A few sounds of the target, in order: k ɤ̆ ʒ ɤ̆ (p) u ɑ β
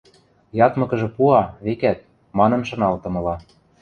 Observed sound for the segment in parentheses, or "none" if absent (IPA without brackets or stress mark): p